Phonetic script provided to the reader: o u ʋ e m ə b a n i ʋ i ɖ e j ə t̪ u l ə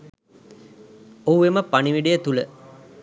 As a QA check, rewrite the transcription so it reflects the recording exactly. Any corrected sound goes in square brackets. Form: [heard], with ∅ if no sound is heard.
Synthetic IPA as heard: o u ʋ e m ə [p] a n i ʋ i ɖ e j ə t̪ u l ə